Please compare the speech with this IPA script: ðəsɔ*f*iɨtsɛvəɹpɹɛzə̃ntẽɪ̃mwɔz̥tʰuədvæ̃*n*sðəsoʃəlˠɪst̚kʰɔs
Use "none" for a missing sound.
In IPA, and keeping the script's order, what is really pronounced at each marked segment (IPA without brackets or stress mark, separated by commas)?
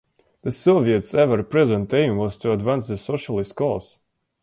v, n